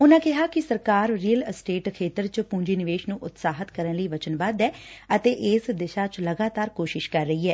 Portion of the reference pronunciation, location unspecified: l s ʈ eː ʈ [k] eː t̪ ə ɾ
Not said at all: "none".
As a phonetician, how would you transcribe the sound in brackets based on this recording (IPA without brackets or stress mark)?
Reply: kʰ